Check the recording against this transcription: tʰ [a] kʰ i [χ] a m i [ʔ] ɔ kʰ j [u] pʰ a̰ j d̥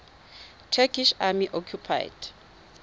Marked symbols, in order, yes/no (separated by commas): no, no, yes, yes